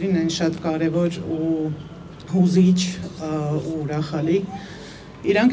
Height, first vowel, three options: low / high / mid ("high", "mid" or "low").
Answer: high